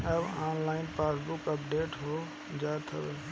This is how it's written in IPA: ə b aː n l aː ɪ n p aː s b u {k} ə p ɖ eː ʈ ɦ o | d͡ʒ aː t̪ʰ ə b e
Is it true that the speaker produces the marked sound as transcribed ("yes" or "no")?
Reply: yes